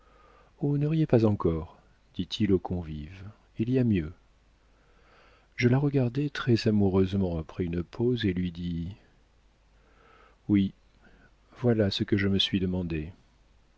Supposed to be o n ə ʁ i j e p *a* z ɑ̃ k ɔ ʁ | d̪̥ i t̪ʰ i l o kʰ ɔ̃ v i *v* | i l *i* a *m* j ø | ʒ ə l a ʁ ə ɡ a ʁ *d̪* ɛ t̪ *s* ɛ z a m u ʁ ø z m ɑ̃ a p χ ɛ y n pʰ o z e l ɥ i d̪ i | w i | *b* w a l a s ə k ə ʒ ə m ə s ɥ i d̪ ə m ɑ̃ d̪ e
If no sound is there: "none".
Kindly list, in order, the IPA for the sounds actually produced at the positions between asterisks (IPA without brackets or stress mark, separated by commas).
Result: a, v, i, m, d̪, χ, v